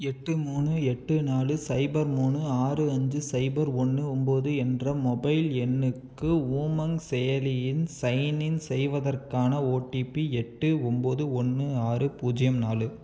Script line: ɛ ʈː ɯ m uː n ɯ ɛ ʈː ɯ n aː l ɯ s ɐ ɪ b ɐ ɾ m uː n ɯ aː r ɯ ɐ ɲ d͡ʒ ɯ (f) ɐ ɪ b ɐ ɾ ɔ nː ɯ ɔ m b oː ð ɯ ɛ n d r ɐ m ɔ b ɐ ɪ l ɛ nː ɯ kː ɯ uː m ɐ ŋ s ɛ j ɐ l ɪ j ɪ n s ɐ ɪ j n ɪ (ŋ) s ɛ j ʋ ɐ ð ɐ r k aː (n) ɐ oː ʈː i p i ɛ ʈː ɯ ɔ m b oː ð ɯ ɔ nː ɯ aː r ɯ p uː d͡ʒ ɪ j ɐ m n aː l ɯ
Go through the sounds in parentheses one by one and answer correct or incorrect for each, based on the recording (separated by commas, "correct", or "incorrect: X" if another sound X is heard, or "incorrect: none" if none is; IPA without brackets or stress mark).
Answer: incorrect: s, incorrect: n, correct